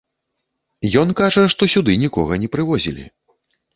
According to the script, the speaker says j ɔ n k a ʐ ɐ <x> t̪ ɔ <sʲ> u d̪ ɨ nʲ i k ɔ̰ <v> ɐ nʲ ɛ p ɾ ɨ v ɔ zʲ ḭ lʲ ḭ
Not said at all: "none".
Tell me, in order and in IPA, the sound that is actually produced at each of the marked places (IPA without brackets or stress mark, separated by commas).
ʂ, sʲ, ɣ